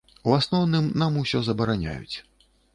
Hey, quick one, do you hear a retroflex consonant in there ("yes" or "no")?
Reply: no